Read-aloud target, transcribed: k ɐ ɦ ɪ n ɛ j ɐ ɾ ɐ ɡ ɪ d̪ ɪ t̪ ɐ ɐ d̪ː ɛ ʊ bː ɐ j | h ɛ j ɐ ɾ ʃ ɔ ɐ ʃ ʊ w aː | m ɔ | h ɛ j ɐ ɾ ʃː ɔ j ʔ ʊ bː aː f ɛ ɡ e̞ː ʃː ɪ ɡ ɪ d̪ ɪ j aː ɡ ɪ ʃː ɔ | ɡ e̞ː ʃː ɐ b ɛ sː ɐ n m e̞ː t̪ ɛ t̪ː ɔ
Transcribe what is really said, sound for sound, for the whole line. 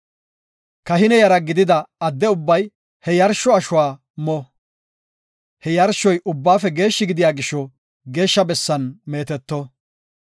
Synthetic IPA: k ɐ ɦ ɪ n ɛ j ɐ ɾ ɐ ɡ ɪ d̪ ɪ d̪ ɐ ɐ d̪ː ɛ ʊ bː ɐ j | h ɛ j ɐ ɾ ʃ ɔ ɐ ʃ ʊ w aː | m ɔ | h ɛ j ɐ ɾ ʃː ɔ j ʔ ʊ bː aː f ɛ ɡ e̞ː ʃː ɪ ɡ ɪ d̪ ɪ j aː ɡ ɪ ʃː ɔ | ɡ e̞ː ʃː ɐ b ɛ sː ɐ n m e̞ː t̪ ɛ t̪ː ɔ